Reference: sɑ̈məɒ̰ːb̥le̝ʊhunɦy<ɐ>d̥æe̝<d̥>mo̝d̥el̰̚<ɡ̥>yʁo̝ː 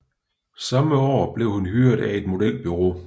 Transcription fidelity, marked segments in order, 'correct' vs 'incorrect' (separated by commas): correct, correct, incorrect